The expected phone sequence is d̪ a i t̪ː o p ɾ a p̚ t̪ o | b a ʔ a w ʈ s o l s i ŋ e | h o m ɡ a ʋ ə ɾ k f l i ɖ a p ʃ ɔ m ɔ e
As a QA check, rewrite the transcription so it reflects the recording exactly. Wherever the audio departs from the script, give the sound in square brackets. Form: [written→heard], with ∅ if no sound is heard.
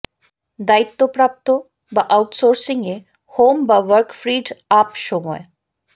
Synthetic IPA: d̪ a i t̪ː o p ɾ a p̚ t̪ o | b a ʔ a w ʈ s o [l→ɾ] s i ŋ e | h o m [ɡ→b] a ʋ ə ɾ k f [l→ɾ] i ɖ a p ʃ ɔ m ɔ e